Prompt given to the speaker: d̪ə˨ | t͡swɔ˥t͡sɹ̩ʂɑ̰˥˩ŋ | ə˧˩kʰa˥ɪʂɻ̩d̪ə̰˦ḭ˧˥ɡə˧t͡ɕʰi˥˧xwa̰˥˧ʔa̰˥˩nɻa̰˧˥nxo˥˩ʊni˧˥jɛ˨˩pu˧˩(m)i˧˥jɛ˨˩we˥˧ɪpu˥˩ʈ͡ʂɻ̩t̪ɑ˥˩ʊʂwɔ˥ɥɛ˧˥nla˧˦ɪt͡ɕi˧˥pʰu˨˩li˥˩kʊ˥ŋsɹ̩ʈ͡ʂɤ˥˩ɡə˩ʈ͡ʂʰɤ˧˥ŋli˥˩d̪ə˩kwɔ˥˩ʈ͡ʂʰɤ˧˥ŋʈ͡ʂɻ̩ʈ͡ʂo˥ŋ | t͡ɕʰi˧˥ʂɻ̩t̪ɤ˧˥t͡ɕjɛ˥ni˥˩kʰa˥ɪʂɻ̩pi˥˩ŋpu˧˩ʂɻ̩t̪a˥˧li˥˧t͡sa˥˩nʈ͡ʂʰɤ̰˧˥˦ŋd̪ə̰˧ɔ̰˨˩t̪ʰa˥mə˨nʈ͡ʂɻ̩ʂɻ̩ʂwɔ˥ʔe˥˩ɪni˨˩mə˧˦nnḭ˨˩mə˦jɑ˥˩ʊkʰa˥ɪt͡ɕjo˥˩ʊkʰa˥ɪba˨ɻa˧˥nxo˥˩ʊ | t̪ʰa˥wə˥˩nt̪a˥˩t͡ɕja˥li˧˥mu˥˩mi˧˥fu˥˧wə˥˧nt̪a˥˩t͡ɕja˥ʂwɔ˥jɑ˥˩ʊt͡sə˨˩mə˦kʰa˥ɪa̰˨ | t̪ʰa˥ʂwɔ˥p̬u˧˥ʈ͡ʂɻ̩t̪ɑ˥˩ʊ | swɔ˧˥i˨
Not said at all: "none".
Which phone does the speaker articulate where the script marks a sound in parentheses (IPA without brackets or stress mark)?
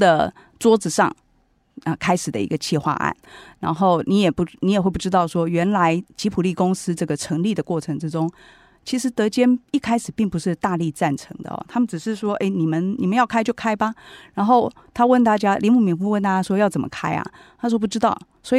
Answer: n